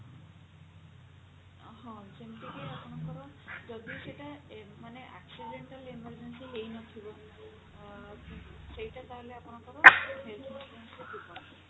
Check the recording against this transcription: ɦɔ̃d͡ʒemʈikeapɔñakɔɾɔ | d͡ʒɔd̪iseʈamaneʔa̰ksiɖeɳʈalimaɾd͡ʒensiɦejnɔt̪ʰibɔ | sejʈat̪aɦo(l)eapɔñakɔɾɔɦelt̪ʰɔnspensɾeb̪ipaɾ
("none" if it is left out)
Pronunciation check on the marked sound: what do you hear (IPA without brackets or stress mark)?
l